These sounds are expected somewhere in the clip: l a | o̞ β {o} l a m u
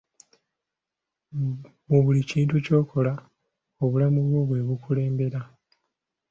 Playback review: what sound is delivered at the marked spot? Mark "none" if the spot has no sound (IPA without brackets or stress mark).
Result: u